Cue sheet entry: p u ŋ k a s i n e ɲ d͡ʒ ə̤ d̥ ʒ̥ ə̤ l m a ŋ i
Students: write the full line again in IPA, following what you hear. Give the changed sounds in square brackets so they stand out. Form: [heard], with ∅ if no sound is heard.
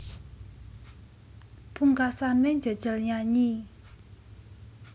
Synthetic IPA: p u ŋ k a s [a] n e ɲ d͡ʒ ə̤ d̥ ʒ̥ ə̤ l [ɲ] a [ɲ] i